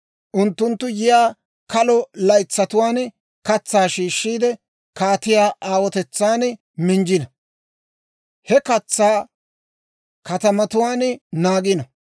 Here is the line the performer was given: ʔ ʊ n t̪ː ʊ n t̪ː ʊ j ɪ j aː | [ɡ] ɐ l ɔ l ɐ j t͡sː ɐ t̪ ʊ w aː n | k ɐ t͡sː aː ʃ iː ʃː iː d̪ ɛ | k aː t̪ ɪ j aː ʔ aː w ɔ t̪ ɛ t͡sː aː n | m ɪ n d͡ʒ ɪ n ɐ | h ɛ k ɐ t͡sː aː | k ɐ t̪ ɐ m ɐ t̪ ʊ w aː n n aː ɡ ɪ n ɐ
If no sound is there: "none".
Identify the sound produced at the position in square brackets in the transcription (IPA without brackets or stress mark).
k